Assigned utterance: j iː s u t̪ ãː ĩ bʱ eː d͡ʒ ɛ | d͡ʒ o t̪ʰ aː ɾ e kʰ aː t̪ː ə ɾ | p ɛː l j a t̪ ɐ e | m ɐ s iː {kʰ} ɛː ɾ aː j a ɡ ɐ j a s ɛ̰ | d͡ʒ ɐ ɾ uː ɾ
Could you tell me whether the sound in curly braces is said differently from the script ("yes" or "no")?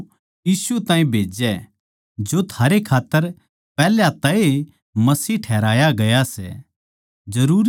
yes